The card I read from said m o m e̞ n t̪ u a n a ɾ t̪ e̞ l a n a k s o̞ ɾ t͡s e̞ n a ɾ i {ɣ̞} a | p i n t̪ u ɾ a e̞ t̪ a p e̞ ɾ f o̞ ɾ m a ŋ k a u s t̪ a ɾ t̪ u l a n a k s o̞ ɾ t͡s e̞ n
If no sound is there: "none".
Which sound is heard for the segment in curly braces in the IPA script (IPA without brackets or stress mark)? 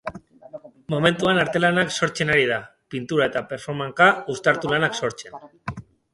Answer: ð̞